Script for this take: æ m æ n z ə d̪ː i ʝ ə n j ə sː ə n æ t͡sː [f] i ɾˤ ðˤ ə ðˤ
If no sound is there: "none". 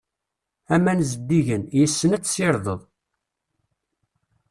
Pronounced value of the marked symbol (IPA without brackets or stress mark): s